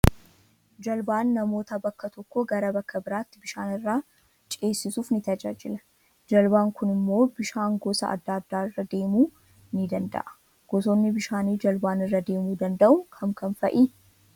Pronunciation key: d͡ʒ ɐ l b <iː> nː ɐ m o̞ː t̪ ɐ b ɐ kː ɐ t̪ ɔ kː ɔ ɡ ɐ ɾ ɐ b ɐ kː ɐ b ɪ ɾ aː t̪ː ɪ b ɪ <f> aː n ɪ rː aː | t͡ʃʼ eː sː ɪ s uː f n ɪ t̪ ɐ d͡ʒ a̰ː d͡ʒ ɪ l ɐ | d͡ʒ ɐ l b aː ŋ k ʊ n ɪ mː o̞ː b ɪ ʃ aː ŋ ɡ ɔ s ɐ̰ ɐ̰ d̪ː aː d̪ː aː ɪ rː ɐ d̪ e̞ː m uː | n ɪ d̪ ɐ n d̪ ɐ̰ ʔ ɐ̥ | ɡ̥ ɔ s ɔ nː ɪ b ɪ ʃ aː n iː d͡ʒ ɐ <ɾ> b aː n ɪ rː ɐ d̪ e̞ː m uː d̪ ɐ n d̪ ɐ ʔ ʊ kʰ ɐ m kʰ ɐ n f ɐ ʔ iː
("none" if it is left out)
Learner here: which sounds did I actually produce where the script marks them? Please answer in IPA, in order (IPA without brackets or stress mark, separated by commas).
aː, ʃ, l